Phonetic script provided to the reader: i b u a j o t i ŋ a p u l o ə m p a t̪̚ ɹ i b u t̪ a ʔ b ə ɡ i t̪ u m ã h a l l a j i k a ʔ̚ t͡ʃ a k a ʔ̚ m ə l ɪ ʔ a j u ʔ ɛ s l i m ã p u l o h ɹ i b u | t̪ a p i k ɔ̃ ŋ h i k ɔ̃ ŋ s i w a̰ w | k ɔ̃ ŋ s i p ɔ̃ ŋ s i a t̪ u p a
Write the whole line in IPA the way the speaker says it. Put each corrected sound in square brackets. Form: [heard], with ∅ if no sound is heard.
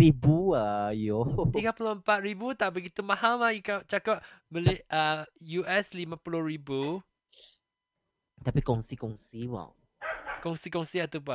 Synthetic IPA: i b u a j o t i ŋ a p u l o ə m p a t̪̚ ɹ i b u t̪ a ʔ b ə ɡ i t̪ u m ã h a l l a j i k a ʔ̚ t͡ʃ a k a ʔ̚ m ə l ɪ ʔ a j u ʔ ɛ s l i m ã p u l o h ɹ i b u | t̪ a p i k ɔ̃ ŋ [s] i k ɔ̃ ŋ s i w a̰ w | k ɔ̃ ŋ s i [k] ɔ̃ ŋ s i a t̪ u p a